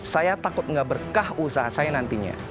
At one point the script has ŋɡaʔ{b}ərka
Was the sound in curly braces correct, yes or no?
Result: yes